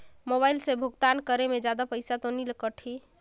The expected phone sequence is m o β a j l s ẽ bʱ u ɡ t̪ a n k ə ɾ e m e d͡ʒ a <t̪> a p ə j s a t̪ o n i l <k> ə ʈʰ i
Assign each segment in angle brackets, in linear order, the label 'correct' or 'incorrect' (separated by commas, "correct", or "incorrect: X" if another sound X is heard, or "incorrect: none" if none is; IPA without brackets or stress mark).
incorrect: d̪, correct